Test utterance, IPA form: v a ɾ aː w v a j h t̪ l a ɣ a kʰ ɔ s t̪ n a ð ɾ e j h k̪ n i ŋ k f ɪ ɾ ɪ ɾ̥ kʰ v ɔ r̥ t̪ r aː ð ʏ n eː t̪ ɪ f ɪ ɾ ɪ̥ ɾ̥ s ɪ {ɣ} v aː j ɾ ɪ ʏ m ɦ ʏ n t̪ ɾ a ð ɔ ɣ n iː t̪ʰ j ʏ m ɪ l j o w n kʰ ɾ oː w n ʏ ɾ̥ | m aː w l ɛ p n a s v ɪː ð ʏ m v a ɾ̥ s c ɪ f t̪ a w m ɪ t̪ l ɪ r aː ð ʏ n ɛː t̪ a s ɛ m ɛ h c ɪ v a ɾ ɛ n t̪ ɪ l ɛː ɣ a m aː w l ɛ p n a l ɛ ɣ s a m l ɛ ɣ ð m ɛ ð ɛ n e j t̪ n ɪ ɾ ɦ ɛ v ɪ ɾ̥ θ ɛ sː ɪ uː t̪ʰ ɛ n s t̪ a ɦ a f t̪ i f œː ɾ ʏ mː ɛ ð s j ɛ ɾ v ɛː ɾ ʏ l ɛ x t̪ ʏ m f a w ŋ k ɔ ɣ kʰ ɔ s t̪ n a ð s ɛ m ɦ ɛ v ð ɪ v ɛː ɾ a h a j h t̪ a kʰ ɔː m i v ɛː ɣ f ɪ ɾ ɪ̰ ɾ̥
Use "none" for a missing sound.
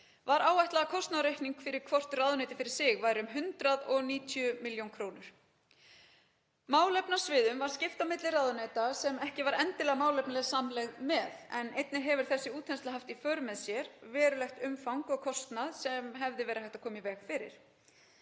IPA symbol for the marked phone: ɣ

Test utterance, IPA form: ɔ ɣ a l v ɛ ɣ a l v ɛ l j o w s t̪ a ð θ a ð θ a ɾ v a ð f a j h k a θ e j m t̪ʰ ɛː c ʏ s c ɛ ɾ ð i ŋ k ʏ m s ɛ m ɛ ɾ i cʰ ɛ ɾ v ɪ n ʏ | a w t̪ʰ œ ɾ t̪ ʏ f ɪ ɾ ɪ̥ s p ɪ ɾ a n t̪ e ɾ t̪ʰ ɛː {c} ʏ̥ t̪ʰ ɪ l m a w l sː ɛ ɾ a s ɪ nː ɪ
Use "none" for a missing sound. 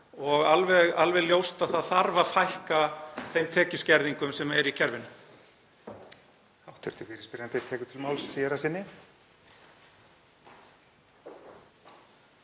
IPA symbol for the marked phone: k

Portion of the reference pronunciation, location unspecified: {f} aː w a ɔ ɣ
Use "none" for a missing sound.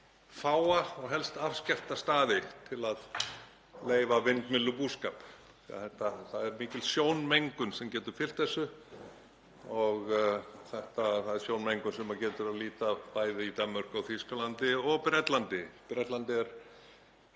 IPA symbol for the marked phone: f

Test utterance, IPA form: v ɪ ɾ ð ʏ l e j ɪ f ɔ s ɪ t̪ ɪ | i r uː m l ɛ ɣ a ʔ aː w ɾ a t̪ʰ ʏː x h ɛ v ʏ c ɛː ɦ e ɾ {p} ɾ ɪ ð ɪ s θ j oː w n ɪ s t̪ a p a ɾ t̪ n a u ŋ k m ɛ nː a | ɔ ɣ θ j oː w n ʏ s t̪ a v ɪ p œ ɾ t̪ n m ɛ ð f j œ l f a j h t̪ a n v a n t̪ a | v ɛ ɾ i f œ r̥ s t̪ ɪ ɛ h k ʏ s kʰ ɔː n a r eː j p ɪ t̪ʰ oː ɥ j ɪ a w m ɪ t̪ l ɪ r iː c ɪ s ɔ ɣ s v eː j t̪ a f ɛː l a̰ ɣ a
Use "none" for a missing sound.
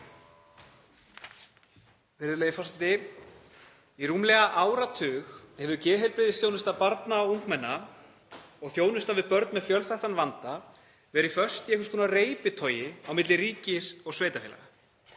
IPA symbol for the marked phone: p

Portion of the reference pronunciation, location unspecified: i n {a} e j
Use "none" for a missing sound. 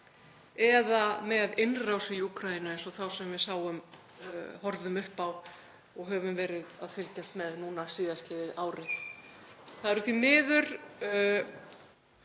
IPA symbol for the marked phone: a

